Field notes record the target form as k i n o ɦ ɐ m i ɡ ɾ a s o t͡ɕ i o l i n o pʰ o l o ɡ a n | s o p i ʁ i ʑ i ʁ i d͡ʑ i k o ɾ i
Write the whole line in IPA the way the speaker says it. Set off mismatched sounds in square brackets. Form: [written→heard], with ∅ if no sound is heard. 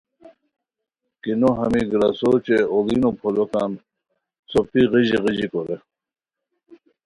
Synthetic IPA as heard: k i n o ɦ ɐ m i ɡ ɾ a s o t͡ɕ [i→e] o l i n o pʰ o l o [ɡ→k] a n | s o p i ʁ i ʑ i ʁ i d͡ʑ i k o ɾ [i→e]